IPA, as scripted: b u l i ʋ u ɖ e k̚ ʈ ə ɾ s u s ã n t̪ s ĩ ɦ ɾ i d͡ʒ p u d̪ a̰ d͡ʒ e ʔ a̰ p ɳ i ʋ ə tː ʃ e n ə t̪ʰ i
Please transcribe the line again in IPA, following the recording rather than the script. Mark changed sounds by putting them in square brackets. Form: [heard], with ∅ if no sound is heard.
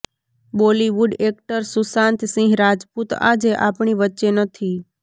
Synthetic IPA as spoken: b [o] l i ʋ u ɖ e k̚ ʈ ə ɾ s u s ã n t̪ s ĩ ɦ ɾ [a] d͡ʒ p u [t̪] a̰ d͡ʒ e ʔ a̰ p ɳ i ʋ ə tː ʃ e n ə t̪ʰ i